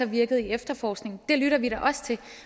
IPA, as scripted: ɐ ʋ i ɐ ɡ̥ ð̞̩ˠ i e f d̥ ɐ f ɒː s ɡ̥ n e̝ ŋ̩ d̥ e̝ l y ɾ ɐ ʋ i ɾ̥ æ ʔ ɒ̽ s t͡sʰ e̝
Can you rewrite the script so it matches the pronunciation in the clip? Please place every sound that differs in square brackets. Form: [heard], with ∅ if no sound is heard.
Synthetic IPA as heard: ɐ ʋ i ɐ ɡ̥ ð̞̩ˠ i e f d̥ ɐ f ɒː s ɡ̥ n e̝ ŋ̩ d̥ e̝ l y ɾ ɐ ʋ i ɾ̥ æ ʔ ɒ̽ s t͡sʰ e̝